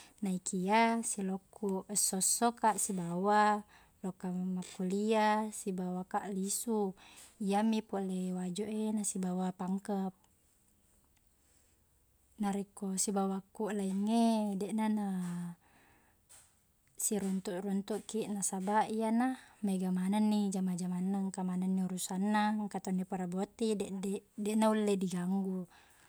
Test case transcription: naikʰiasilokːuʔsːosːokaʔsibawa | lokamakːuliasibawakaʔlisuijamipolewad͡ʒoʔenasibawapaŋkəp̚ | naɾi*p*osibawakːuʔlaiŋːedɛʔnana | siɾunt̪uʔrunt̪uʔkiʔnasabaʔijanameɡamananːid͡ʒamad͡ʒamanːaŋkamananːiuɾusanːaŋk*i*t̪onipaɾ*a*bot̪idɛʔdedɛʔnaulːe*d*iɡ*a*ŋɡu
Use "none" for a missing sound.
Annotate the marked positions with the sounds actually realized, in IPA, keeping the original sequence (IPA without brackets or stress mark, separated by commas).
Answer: k, a, a, d, a